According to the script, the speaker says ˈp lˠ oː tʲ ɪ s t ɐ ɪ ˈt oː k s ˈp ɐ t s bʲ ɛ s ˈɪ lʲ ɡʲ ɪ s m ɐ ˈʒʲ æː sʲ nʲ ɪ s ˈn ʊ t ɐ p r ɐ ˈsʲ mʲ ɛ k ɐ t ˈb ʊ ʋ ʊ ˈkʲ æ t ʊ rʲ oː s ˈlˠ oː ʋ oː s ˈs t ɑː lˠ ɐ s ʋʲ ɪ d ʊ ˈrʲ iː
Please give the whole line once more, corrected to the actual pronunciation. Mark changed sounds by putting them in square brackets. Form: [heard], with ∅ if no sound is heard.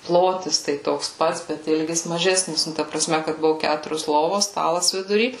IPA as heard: ˈp lˠ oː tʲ ɪ s t ɐ ɪ ˈt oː k s ˈp ɐ t s bʲ ɛ [t] ˈɪ lʲ ɡʲ ɪ s m ɐ ˈʒʲ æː sʲ nʲ ɪ s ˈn ʊ t ɐ p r ɐ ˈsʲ mʲ ɛ k ɐ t ˈb ʊ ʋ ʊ ˈkʲ æ t ʊ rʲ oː s ˈlˠ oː ʋ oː s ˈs t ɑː lˠ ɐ s ʋʲ ɪ d ʊ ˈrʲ iː